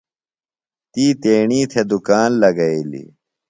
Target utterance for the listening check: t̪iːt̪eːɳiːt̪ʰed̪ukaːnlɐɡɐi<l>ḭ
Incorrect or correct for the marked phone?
correct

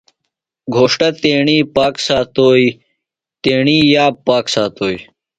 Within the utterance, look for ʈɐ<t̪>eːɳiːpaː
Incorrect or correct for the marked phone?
correct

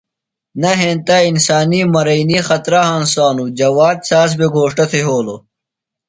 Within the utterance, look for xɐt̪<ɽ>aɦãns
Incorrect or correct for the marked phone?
incorrect: ɾ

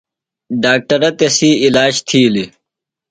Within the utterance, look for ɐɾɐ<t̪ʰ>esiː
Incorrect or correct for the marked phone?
incorrect: t̪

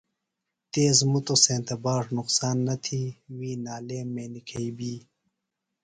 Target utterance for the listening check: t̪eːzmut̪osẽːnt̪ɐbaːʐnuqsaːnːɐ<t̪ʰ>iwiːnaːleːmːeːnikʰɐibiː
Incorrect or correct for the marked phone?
correct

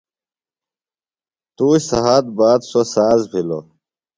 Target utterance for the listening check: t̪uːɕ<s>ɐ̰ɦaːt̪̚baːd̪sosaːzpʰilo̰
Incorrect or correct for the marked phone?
correct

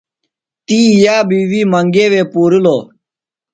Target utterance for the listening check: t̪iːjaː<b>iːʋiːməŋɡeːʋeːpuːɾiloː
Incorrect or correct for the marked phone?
correct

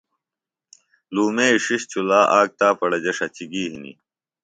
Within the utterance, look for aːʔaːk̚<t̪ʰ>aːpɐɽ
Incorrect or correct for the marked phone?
incorrect: t̪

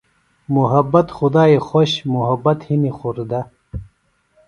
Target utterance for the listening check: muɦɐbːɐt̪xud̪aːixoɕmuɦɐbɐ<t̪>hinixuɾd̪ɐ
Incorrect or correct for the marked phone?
correct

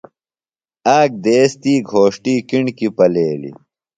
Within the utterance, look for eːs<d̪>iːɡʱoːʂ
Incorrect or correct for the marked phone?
incorrect: t̪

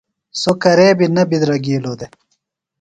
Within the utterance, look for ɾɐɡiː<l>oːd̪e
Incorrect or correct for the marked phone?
correct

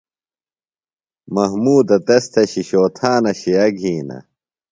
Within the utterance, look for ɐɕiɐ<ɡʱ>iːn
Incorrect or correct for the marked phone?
correct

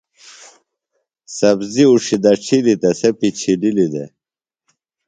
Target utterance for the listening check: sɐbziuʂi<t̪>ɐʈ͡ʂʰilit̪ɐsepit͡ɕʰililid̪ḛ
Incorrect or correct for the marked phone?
incorrect: d̪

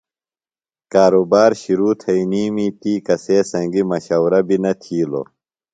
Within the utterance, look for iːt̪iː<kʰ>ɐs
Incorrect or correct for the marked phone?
incorrect: k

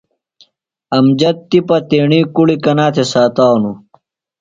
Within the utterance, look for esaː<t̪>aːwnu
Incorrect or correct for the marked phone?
correct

